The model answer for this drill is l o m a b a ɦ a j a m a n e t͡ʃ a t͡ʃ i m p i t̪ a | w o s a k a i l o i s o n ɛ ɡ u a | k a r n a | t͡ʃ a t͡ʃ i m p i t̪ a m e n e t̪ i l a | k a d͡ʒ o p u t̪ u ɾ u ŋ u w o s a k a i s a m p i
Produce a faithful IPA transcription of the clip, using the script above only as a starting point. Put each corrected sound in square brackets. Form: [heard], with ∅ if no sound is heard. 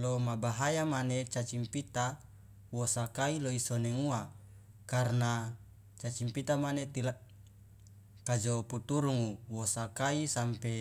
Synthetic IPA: l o m a b a ɦ a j a m a n e t͡ʃ a t͡ʃ i m p i t̪ a | w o s a k a i l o i s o n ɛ [ŋ] u a | k a r n a | t͡ʃ a t͡ʃ i m p i t̪ a m [a] n e t̪ i l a | k a d͡ʒ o p u t̪ u ɾ u ŋ u w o s a k a i s a m p [e]